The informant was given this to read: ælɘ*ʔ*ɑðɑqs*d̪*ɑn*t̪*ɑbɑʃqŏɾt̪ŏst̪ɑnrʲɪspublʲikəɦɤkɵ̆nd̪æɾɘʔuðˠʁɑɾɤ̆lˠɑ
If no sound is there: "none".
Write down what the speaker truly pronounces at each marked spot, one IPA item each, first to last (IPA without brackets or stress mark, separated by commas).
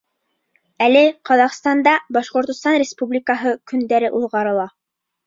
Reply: q, t̪, d̪